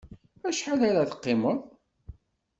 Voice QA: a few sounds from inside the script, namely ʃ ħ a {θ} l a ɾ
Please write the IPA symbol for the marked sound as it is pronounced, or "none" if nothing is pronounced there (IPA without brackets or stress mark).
none